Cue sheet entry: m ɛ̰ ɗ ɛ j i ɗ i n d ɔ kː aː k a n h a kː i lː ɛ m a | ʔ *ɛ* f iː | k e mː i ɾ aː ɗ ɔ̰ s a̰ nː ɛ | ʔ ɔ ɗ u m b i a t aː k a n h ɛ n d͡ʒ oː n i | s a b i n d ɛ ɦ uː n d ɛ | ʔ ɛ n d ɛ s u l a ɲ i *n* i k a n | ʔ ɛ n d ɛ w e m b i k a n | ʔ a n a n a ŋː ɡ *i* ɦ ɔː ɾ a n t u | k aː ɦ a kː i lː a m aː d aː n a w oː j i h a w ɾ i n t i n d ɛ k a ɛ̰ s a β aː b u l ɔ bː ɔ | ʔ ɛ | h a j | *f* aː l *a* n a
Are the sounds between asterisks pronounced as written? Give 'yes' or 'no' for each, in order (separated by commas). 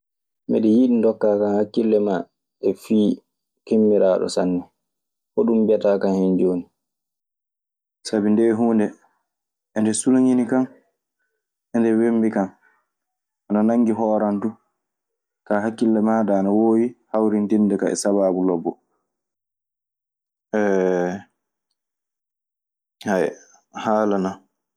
yes, yes, yes, no, yes